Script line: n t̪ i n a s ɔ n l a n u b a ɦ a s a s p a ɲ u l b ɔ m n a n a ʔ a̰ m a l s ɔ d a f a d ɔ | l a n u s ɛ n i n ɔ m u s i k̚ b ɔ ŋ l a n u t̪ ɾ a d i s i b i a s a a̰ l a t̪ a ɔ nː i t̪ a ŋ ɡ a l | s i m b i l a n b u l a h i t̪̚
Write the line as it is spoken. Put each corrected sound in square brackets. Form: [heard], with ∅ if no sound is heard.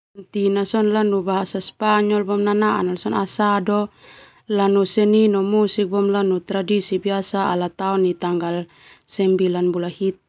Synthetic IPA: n t̪ i n a s ɔ n l a n u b a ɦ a s a s p a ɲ [ɔ] l b ɔ m n a n a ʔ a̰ [n] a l s ɔ [n] a [s] a d ɔ | l a n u s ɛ n i n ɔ m u s i k̚ b ɔ [m] l a n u t̪ ɾ a d i s i b i a s a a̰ l a t̪ a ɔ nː i t̪ a ŋ ɡ a l | s [ɛ] m b i l a n b u l a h i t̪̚